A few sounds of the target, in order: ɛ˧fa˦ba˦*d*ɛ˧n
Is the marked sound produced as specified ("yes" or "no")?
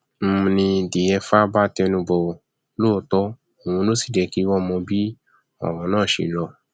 no